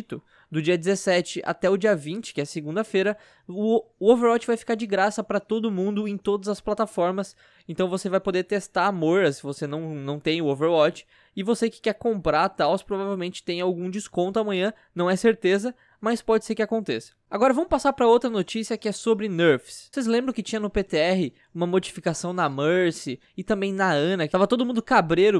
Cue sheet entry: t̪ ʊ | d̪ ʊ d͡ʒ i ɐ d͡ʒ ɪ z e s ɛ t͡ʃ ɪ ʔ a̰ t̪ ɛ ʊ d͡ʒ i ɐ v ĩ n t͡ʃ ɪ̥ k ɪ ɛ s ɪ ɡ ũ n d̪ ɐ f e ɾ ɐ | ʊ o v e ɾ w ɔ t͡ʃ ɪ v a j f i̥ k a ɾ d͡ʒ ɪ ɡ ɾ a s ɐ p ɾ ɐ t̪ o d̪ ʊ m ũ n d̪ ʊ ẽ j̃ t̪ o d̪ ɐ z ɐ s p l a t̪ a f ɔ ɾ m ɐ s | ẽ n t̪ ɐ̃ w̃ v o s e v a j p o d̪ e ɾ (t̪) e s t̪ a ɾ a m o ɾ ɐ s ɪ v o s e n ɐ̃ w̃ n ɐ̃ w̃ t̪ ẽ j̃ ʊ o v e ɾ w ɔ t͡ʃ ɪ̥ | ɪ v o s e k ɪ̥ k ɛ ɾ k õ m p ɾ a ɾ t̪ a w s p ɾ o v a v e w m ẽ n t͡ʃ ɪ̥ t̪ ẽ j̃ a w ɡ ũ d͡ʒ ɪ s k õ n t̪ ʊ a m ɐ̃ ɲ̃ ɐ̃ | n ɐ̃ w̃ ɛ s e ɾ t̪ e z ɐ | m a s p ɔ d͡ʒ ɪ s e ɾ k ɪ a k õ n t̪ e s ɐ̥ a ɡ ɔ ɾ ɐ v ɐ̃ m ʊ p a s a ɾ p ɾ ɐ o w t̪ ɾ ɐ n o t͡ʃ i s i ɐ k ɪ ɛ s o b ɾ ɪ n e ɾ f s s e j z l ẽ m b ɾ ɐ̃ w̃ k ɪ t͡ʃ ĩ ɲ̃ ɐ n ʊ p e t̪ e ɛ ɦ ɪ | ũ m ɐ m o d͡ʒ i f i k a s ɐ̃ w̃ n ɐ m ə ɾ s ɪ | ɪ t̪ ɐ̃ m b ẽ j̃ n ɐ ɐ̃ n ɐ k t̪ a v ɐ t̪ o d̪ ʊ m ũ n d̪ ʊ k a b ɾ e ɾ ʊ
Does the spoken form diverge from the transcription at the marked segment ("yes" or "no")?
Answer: no